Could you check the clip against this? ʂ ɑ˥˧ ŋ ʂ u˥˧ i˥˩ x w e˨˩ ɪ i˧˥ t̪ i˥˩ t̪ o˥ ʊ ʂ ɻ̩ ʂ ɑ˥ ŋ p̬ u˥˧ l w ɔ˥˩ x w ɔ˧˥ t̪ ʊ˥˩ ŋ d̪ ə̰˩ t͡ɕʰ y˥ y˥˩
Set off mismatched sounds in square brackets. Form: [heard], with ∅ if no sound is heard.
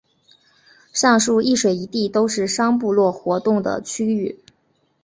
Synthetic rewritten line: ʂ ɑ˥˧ ŋ ʂ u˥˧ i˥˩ [ʂ] w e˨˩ ɪ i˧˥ t̪ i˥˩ t̪ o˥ ʊ ʂ ɻ̩ ʂ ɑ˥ ŋ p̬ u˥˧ l w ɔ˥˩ x w ɔ˧˥ t̪ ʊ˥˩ ŋ d̪ ə̰˩ t͡ɕʰ y˥ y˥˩